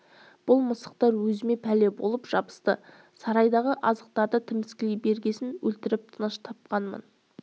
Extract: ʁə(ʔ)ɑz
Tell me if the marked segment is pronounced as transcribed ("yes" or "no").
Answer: yes